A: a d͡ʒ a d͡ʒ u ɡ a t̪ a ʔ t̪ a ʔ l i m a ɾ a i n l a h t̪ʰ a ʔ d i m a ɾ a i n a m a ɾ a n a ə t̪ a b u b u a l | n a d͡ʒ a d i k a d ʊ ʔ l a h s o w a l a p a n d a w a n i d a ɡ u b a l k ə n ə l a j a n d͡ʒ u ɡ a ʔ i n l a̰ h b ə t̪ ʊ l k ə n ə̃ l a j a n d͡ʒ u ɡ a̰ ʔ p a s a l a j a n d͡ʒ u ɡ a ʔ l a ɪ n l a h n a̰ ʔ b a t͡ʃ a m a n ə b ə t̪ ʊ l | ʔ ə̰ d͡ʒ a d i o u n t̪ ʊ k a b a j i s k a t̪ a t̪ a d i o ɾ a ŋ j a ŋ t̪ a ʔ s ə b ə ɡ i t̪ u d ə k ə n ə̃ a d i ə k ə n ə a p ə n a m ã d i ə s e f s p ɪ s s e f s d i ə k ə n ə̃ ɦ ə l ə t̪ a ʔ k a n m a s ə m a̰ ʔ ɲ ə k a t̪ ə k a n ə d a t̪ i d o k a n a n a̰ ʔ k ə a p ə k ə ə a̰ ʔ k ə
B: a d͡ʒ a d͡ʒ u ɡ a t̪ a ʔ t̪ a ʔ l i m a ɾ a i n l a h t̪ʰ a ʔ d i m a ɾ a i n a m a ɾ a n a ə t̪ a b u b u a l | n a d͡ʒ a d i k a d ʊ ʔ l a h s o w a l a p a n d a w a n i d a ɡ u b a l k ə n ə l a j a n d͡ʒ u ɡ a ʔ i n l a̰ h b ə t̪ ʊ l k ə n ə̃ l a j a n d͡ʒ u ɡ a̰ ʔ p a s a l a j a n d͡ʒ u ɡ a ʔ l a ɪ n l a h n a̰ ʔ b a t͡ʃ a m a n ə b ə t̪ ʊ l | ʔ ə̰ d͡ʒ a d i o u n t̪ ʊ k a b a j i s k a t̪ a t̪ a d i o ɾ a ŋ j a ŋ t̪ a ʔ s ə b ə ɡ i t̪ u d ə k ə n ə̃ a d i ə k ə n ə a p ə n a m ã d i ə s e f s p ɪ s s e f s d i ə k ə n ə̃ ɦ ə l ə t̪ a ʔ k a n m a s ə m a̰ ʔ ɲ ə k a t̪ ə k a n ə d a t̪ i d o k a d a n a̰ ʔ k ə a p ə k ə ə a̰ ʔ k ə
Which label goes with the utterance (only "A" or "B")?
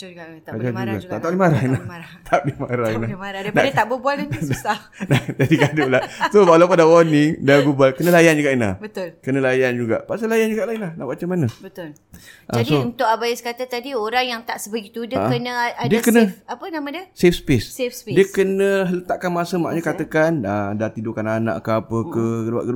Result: A